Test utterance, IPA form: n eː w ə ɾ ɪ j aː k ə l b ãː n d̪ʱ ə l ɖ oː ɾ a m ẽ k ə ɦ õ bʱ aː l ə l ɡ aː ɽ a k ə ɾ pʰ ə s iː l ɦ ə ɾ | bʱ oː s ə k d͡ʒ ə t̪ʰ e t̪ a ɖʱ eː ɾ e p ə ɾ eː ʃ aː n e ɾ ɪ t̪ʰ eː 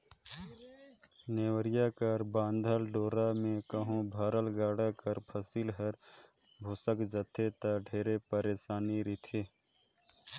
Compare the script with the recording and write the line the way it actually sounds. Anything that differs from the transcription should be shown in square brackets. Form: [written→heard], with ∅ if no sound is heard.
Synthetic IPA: n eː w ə ɾ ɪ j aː k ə [l→ɾ] b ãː n d̪ʱ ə l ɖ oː ɾ a m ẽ k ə ɦ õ bʱ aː [l→ɾ] ə l ɡ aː ɽ a k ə ɾ pʰ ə s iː l ɦ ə ɾ | bʱ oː s ə k d͡ʒ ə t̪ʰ e t̪ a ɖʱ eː ɾ e p ə ɾ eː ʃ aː n [e→i] ɾ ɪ t̪ʰ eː